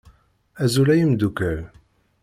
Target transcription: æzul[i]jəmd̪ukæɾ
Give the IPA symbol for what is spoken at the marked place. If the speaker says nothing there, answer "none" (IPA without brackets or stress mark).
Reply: æ